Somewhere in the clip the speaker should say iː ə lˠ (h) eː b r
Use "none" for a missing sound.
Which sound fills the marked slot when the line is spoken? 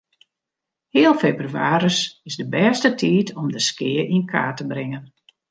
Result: f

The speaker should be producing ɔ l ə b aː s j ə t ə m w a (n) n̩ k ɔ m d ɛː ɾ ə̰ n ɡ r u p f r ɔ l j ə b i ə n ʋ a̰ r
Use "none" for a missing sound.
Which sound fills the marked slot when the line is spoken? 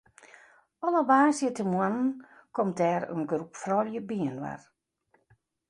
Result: n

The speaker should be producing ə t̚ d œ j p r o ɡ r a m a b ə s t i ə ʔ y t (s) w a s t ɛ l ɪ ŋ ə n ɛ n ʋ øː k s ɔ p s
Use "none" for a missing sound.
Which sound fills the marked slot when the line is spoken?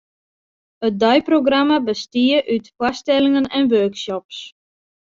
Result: f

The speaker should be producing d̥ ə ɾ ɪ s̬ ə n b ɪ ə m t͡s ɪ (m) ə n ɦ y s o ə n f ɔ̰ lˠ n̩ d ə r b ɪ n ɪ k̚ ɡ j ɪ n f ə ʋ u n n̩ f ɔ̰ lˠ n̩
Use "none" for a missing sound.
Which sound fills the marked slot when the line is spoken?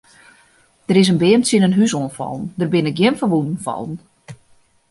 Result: n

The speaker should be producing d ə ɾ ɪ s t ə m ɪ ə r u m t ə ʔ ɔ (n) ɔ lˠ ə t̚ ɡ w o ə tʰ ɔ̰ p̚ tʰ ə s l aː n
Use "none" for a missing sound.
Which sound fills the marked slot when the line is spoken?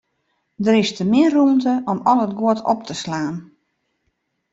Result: m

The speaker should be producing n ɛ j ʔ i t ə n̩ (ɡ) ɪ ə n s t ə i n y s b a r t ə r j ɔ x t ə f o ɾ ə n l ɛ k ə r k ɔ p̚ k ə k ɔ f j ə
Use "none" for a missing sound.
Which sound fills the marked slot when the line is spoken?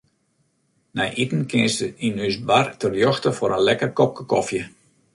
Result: k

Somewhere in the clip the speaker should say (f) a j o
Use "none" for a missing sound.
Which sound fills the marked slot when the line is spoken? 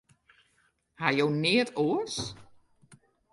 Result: h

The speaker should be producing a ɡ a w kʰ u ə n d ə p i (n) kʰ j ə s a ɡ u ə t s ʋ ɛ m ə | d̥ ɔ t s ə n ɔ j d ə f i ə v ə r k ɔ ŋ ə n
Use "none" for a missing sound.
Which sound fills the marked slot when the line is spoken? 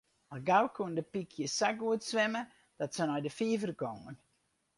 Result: none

